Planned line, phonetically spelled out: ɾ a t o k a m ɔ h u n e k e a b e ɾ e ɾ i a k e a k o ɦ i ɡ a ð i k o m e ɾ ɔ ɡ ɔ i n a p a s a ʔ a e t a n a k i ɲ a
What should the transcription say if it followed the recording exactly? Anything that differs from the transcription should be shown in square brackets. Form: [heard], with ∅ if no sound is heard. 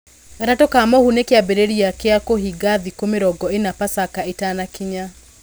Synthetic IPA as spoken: ɾ a t o k a m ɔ h u n e k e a b e ɾ e ɾ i a k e a k o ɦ i ɡ a ð i k o m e ɾ ɔ ɡ ɔ [e] n a p a s a [k] a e t a n a k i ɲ a